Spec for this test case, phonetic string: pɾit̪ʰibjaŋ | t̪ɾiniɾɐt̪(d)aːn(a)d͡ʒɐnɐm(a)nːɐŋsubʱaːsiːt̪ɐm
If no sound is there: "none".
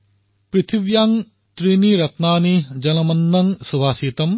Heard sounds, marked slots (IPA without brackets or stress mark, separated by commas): n, i, ɐ